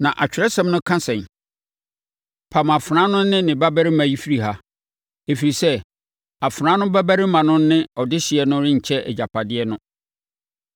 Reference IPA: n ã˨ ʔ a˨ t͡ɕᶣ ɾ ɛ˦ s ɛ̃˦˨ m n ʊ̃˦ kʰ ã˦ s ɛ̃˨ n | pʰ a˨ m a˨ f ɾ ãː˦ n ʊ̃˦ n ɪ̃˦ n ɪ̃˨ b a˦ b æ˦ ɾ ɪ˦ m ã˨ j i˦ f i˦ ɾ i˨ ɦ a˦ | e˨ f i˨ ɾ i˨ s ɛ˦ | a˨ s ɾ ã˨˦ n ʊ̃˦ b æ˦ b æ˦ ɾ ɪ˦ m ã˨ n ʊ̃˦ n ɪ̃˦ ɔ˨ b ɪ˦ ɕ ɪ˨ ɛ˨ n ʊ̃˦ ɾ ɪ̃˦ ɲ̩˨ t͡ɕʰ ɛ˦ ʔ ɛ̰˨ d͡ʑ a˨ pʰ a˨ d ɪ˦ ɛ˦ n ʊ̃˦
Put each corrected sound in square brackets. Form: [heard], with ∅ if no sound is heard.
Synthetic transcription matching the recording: n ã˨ ʔ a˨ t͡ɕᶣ ɾ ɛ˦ s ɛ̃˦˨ m n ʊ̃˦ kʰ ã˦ s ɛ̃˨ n | pʰ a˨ m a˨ f ɾ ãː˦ n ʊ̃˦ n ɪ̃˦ n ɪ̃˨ b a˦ b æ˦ ɾ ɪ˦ m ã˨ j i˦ f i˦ ɾ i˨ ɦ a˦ | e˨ f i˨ ɾ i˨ s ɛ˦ | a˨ [f] ɾ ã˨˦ n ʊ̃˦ b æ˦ b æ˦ ɾ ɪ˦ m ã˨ n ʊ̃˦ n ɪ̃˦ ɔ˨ [d] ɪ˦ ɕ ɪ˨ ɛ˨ n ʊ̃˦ ɾ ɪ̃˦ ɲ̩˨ t͡ɕʰ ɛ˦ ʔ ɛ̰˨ d͡ʑ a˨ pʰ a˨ d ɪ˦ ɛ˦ n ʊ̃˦